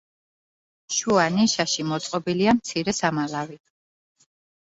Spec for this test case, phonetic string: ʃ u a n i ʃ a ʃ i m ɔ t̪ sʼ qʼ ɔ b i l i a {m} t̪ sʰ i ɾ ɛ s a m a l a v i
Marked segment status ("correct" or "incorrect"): correct